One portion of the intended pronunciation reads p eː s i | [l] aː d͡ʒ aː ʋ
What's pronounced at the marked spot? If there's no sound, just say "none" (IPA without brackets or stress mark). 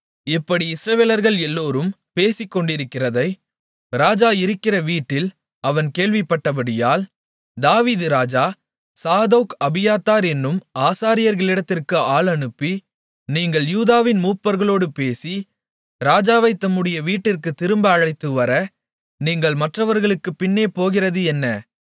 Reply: ɾ